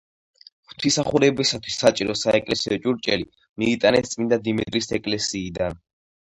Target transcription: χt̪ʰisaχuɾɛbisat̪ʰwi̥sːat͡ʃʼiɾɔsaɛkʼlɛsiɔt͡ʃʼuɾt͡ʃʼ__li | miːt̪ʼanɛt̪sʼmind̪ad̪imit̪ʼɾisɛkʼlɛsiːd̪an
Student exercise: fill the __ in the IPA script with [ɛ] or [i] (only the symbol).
ɛ